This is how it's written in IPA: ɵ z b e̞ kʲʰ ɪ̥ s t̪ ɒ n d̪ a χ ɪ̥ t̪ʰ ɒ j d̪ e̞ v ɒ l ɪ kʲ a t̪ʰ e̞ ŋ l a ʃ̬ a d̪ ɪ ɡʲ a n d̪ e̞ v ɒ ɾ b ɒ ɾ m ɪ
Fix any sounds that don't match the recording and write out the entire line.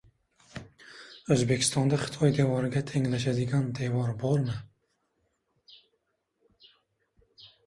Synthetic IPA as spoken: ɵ z b e̞ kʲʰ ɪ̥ s t̪ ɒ n d̪ a χ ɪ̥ t̪ʰ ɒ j d̪ e̞ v ɒ ɾ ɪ ɡʲ a t̪ʰ e̞ ŋ l a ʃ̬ a d̪ ɪ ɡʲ a n d̪ e̞ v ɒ ɾ b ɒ ɾ m ɪ

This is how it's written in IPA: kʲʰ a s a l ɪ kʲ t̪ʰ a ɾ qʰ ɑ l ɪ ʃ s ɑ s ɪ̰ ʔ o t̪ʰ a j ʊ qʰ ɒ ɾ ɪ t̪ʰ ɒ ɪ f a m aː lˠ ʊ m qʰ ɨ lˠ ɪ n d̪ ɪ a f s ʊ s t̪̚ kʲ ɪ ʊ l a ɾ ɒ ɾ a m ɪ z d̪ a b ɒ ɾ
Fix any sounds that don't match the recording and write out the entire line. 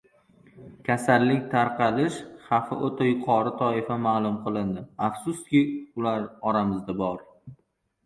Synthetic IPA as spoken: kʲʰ a s a lː ɪ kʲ t̪ʰ a ɾ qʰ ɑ l ɪ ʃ χ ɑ f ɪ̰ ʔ o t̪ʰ a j ʊ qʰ ɒ ɾ ɪ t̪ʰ ɒ ɪ f a m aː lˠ ʊ m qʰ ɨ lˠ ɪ n d̪ ɪ a f s ʊ s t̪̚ kʲ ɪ ʊ l a ɾ ɒ ɾ a m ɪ z d̪ a b ɒ ɾ

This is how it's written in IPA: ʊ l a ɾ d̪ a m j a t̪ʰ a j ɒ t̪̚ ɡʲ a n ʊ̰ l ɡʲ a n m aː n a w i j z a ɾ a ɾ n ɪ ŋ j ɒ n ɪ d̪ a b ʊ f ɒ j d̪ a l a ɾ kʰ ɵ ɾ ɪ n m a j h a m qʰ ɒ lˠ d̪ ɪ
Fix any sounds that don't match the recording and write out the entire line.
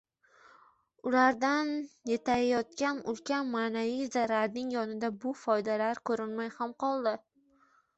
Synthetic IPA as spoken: ʊ l a ɾ d̪ a n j e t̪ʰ a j ɒ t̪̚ kʲ a n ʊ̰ l kʲ a n m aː n a v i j z a ɾ a ɾ n ɪ ŋ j ɒ n ɪ d̪ a b ʊ f ɒ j d̪ a l a ɾ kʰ ɵ ɾ ɪ n m a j h a m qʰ ɒ lˠ d̪ ɪ

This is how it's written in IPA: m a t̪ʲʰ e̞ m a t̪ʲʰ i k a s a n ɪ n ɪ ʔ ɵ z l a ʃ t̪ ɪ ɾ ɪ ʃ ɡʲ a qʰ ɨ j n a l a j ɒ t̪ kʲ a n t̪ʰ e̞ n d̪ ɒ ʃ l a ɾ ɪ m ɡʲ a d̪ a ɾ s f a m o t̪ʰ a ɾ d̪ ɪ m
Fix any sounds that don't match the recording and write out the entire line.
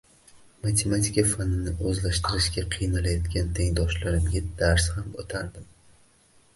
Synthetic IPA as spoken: m a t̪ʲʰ e̞ m a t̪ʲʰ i k a f a n ɪ n ɪ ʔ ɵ z l a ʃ t̪ ɪ ɾ ɪ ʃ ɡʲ a qʰ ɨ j n a l a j ɒ t̪ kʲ a n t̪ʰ e̞ ŋ d̪ ɒ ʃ l a ɾ ɪ m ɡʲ a d̪ a ɾ s h a m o t̪ʰ a ɾ d̪ ɪ m

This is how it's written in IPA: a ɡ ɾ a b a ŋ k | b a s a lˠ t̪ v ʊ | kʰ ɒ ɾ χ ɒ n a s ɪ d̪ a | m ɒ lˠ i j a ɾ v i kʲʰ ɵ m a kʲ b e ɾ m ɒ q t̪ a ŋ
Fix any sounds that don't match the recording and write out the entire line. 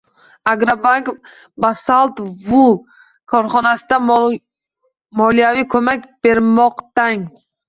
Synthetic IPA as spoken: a ɡ ɾ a b a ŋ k | b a s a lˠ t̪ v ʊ | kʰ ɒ ɾ χ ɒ n a s ɪ d̪ a | m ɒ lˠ i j a v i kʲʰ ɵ m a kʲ b e ɾ m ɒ q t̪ a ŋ

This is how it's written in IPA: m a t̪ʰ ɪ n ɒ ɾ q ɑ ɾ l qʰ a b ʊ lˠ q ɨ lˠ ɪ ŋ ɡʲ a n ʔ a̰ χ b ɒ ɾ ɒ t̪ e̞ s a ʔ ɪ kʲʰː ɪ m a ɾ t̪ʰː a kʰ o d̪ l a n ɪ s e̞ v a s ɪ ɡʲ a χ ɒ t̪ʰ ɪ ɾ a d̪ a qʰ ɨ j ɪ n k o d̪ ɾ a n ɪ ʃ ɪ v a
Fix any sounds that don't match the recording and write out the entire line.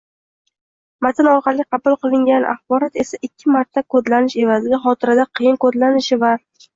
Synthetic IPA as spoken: m a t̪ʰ ɪ n ɒ ɾ q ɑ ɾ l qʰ ɑ b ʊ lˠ q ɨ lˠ ɪ ŋ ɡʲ a n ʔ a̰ χ b ɒ ɾ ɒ t̪ e̞ s a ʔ ɪ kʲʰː ɪ m a ɾ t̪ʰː a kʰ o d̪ l a n ɪ ʃ e̞ v a z ɪ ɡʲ a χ ɒ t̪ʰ ɪ ɾ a d̪ a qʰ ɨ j ɪ n k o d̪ l a n ɪ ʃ ɪ v a

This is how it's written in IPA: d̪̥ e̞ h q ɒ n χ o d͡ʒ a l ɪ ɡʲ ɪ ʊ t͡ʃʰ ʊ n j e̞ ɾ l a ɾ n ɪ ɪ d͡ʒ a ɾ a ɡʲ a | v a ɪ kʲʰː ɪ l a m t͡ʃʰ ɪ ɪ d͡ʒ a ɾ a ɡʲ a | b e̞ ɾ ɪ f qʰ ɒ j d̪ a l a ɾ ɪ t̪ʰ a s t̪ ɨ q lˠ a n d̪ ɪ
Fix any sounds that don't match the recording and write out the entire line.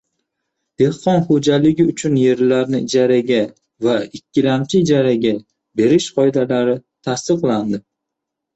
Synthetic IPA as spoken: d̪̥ e̞ h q ɒ n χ o d͡ʒ a l ɪ ɡʲ ɪ ʊ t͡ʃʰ ʊ n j e̞ ɾ l a ɾ n ɪ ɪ d͡ʒ a ɾ a ɡʲ a | v a ɪ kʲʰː ɪ l a m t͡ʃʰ ɪ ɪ d͡ʒ a ɾ a ɡʲ a | b e̞ ɾ ɪ ʃ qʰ ɒ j d̪ a l a ɾ ɪ t̪ʰ a s t̪ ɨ q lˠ a n d̪ ɪ

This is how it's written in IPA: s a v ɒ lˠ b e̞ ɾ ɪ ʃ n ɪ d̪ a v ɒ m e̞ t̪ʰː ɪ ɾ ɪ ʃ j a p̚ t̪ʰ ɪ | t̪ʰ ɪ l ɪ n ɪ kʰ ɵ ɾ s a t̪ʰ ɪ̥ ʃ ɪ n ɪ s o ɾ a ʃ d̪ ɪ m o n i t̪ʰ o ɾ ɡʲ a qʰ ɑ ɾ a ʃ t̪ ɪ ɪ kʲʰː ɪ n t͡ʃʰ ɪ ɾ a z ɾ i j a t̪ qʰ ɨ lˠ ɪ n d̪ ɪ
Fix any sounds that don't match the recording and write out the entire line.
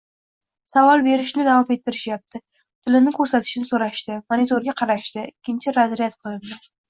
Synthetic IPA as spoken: s a v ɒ lˠ b e̞ ɾ ɪ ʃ n ɪ d̪ a v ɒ m e̞ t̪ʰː ɪ ɾ ɪ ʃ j a p̚ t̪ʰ ɪ | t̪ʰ ɪ l ɪ n ɪ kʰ ɵ ɾ s a t̪ʰ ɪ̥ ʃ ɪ n ɪ s o ɾ a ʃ t̪ ɪ m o n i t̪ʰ o ɾ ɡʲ a qʰ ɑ ɾ a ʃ t̪ ɪ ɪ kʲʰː ɪ n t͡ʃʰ ɪ ɾ a z ɾ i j a t̪ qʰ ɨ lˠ ɪ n d̪ ɪ

